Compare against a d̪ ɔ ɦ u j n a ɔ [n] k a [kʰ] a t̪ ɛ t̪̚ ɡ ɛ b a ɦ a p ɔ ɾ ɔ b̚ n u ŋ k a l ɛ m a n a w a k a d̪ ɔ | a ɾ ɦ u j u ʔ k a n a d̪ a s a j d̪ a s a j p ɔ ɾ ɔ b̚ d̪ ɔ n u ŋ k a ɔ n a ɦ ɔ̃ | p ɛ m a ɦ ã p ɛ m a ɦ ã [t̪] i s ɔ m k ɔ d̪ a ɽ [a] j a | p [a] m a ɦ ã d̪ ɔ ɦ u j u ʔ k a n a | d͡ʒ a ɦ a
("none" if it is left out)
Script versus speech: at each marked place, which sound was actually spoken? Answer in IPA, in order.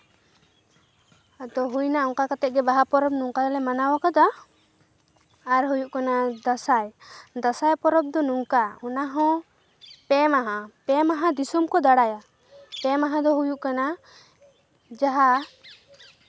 ŋ, k, d̪, a, ɛ

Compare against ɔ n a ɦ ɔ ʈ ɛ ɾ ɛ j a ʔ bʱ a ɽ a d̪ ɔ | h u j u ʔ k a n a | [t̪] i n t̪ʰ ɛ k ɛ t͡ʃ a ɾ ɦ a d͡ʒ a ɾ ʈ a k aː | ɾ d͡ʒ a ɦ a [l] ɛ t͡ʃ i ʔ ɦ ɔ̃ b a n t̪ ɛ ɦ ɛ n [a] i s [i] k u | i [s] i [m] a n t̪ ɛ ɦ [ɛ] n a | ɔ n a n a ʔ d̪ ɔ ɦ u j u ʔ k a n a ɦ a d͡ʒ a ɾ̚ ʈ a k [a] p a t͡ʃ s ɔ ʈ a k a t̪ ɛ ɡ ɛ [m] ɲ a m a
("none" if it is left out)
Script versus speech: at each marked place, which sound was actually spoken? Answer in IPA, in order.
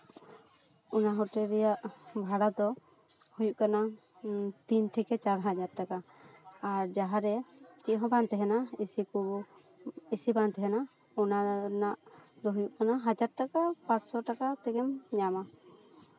t̪, ɾ, a, i, s, b, ɛ, a, m

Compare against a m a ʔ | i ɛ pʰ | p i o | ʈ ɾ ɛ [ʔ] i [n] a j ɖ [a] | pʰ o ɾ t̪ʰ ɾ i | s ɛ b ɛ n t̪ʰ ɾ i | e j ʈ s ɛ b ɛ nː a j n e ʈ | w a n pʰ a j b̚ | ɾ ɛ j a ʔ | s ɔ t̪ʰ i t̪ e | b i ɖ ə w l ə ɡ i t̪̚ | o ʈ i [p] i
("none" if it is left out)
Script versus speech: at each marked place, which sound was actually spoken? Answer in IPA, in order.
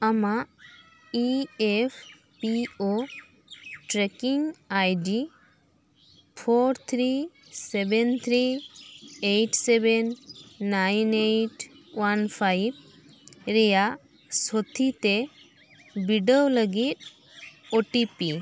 k, ŋ, i, p

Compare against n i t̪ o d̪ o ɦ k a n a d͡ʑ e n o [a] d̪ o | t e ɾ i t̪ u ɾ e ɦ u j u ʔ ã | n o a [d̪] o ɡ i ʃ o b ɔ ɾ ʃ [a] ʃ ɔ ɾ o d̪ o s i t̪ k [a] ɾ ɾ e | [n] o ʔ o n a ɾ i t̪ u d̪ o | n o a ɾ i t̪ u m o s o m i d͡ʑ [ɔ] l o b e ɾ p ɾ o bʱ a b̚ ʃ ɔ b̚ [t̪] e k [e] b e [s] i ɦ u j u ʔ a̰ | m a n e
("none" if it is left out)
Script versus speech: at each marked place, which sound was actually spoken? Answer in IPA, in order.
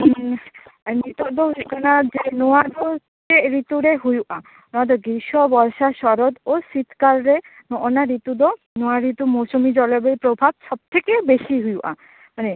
a, d̪, a, a, n, ɔ, t̪ʰ, e, ʃ

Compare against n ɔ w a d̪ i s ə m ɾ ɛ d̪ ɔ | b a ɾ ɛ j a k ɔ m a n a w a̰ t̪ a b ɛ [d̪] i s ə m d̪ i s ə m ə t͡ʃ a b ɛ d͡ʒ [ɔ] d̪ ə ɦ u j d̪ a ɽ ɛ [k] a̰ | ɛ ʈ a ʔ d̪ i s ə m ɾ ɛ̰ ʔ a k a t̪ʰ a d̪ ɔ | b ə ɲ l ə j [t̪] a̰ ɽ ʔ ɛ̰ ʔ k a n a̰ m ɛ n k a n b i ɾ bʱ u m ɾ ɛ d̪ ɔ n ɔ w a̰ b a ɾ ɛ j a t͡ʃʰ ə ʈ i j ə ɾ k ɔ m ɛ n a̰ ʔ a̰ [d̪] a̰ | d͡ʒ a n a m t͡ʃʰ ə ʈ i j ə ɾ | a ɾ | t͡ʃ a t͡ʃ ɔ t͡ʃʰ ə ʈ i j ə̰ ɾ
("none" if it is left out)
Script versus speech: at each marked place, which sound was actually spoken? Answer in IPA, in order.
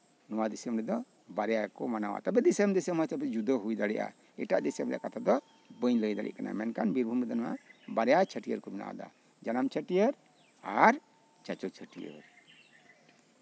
d̪, u, ʔ, d̪, d̪

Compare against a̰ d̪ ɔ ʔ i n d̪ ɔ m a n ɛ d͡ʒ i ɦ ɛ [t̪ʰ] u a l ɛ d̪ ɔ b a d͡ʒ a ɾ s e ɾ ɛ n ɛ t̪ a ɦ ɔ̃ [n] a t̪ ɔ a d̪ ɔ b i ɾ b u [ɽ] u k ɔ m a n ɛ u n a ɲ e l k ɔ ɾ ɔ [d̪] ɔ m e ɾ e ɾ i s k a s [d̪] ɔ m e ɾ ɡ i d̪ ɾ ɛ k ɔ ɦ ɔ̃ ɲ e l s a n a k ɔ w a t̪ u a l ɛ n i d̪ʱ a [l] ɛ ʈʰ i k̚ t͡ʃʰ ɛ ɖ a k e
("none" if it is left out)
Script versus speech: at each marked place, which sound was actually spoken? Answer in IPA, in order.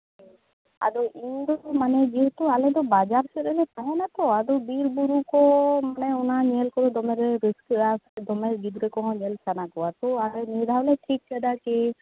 t̪, n, ɾ, d̪, d̪, l

